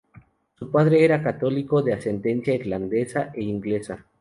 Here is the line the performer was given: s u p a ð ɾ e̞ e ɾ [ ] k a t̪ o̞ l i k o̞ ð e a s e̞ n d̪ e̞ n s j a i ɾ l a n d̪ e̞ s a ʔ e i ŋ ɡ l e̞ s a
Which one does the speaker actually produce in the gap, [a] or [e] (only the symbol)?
a